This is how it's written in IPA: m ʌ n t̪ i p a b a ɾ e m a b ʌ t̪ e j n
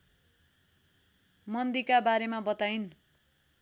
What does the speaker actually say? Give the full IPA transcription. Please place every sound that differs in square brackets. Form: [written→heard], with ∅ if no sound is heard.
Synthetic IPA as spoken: m ʌ n [t̪→d̪] i [p→k] a b a ɾ e m a b ʌ t̪ [e→a] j n